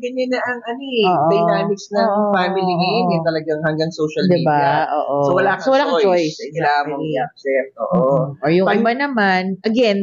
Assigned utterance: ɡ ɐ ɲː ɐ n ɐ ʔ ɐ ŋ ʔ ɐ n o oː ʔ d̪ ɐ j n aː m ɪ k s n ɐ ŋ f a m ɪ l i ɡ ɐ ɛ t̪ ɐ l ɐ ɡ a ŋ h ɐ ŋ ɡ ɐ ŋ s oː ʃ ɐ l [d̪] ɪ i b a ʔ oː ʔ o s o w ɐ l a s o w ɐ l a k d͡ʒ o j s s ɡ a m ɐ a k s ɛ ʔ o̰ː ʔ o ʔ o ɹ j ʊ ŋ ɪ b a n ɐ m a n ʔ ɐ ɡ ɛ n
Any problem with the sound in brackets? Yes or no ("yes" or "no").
no